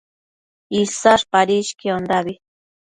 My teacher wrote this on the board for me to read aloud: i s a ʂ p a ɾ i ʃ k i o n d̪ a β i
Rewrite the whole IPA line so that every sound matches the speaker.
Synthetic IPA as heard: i s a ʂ p a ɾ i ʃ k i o n d̪ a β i

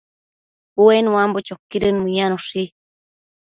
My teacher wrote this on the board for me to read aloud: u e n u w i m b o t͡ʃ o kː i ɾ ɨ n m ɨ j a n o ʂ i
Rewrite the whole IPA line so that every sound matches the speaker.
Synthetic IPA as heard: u e n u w a m b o t͡ʃ o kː i ɾ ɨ n m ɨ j a n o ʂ i

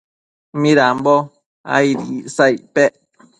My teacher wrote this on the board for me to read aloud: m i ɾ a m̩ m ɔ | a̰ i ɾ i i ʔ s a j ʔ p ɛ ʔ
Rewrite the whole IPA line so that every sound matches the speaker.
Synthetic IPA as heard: m i ɾ a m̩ b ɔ | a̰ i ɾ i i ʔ s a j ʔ p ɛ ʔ

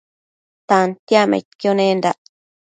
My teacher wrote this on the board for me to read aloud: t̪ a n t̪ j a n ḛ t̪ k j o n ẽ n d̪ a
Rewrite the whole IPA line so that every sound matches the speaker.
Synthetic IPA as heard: t̪ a n t̪ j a m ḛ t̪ k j o n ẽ n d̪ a

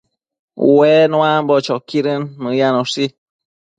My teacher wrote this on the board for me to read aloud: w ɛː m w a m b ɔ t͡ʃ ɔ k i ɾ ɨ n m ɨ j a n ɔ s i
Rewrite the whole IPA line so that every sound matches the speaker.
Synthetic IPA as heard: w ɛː n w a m b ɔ t͡ʃ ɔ k i ɾ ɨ n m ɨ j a n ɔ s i

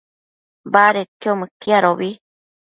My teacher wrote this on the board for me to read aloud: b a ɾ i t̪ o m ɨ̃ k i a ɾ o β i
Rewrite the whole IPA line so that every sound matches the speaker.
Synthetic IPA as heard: b a ɾ e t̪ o m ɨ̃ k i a ɾ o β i

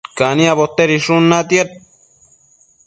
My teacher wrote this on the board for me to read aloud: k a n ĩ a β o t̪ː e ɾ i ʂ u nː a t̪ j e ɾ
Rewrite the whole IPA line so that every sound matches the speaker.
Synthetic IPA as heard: k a n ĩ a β o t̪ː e ɾ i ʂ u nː a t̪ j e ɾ

